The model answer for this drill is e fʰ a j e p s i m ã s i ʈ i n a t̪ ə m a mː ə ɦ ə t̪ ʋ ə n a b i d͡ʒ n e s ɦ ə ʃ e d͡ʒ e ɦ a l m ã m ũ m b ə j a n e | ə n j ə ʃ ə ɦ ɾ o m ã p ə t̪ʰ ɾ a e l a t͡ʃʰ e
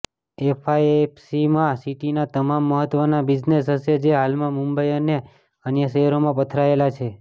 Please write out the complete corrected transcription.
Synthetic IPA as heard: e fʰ a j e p s i m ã s i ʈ i n a t̪ ə m a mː ə ɦ ə t̪ ʋ ə n a b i d͡ʒ n e s ɦ ə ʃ e d͡ʒ e ɦ a l m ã m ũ m b ə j ə n e | ə n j ə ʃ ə ɦ ɾ o m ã p ə t̪ʰ ɾ a e l a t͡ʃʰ e